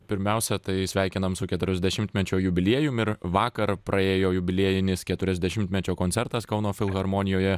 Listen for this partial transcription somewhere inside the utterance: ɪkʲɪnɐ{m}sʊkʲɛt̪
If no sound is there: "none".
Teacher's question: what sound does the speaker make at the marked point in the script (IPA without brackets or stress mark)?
m